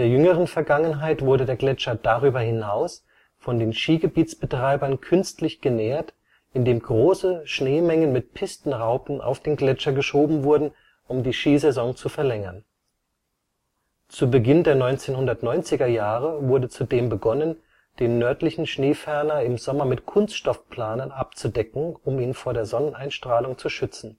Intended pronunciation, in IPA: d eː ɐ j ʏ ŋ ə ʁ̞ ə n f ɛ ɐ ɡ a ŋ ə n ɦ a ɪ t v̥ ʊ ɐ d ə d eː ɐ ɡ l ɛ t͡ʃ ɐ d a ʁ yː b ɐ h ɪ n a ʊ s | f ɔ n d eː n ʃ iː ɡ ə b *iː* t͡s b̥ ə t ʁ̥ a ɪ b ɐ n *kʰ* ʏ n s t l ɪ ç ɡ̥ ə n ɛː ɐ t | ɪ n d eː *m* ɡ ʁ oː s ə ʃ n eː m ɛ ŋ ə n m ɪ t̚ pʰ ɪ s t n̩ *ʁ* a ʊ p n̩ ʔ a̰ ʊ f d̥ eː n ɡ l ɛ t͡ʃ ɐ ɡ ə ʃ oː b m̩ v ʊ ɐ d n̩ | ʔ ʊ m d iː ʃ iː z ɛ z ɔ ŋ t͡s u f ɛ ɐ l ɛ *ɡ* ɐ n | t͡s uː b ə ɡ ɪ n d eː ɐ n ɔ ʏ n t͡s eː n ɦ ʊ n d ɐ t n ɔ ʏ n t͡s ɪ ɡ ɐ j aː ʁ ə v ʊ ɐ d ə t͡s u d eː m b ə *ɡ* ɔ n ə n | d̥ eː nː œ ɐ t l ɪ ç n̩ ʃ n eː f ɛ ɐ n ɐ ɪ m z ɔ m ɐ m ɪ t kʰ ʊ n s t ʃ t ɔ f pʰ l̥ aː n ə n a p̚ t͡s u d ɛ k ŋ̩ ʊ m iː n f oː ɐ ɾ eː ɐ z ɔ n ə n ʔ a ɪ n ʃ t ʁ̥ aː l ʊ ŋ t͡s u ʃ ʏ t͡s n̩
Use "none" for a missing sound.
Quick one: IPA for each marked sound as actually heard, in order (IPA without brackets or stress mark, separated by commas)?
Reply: iː, kʰ, m, ʁ, ŋ, ɡ